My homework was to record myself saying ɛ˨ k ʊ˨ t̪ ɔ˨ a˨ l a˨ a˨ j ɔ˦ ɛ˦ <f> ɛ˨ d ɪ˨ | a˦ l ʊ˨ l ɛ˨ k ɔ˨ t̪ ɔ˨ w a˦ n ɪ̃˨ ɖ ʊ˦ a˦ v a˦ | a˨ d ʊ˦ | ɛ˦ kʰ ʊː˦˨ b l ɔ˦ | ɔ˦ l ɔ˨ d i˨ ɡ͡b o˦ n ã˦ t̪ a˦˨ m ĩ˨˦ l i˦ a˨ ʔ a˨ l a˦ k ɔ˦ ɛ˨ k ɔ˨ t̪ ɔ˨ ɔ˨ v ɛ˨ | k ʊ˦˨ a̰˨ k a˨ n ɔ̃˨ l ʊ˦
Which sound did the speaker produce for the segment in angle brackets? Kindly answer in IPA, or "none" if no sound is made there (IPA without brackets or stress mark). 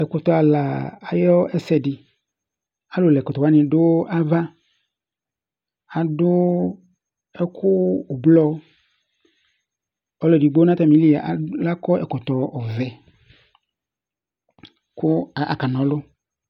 s